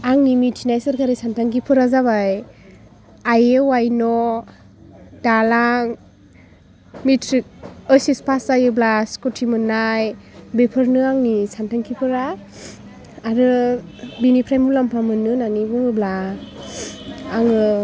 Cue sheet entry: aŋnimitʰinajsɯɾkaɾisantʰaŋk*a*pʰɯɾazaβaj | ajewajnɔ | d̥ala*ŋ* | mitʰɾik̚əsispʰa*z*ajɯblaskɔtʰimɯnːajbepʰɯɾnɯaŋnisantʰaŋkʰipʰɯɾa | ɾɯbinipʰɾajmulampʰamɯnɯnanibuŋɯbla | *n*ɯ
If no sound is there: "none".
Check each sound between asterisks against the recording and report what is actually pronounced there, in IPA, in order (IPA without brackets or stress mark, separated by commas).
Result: i, ŋ, s, ŋ